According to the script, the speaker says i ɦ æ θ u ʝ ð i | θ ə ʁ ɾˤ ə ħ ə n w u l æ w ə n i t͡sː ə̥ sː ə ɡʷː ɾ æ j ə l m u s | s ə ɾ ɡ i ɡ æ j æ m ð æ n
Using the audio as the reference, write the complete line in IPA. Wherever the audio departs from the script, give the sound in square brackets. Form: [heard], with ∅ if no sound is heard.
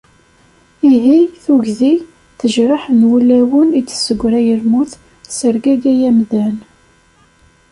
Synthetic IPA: i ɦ [i] θ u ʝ ð i | θ ə [ʒ] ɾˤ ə ħ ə n w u l æ w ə n i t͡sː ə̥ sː ə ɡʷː ɾ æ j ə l m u [θ] | s ə ɾ ɡ [æ] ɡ æ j æ m ð æ n